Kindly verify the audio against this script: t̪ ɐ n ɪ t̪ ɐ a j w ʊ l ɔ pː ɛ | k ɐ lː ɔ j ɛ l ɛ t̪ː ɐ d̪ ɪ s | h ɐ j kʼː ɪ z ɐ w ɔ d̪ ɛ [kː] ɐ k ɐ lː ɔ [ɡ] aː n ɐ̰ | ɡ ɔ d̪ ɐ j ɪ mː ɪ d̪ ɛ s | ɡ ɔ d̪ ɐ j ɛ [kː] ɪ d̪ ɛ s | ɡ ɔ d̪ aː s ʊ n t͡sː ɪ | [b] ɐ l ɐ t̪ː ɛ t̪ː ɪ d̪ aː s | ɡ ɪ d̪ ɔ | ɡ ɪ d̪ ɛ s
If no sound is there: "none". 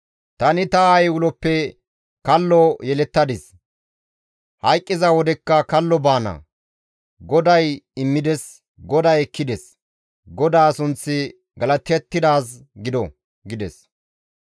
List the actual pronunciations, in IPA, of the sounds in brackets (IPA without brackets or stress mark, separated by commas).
kː, b, kː, ɡ